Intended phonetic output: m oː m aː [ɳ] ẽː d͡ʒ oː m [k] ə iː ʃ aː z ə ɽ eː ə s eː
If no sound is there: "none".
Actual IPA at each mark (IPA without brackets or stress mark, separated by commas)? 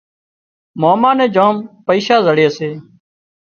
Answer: n, p